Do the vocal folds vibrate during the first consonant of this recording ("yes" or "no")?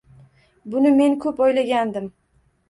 yes